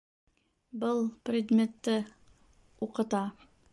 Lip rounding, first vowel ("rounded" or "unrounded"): unrounded